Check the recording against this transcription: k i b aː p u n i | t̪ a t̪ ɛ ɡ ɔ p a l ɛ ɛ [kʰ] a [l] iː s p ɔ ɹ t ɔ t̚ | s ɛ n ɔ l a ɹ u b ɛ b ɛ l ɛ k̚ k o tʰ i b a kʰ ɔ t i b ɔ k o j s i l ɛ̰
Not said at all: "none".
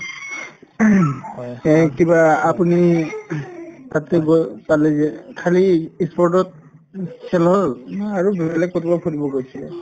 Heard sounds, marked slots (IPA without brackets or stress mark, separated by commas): kʰ, l